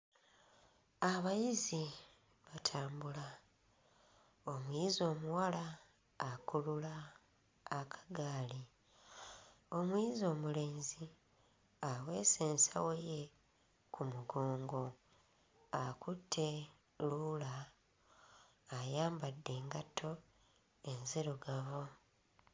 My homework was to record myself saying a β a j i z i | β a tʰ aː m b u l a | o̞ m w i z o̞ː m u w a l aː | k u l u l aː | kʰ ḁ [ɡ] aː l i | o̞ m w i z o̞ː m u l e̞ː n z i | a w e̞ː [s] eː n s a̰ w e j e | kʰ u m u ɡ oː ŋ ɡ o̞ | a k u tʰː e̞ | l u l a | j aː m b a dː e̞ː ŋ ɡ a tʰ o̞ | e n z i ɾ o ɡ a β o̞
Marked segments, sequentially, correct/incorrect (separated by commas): correct, correct